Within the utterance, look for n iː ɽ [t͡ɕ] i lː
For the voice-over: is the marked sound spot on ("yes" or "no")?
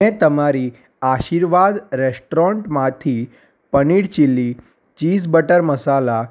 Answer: yes